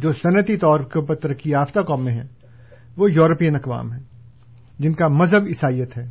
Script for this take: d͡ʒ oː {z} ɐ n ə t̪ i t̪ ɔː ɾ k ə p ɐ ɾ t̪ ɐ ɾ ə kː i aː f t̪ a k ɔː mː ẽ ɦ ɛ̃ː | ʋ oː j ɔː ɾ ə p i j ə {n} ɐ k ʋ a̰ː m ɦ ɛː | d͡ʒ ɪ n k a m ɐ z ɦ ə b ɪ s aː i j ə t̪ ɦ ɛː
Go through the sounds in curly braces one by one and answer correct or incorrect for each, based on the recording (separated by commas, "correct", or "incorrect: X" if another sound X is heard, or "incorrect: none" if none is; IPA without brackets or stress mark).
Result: incorrect: s, correct